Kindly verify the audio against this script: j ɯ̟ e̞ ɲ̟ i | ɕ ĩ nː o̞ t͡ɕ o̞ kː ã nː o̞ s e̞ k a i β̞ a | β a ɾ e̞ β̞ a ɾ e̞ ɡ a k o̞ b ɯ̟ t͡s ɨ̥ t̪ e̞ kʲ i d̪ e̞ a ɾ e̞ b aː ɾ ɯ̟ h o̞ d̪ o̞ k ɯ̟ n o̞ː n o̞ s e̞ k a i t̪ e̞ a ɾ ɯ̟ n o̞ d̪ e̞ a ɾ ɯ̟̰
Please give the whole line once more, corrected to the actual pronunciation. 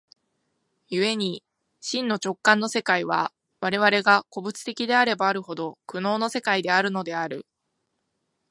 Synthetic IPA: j ɯ̟ e̞ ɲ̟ i | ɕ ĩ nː o̞ t͡ɕ o̞ kː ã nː o̞ s e̞ k a i β̞ a | β a ɾ e̞ β̞ a ɾ e̞ ɡ a k o̞ b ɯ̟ t͡s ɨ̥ t̪ e̞ kʲ i d̪ e̞ a ɾ e̞ b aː ɾ ɯ̟ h o̞ d̪ o̞ k ɯ̟ n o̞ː n o̞ s e̞ k a i d̪ e̞ a ɾ ɯ̟ n o̞ d̪ e̞ a ɾ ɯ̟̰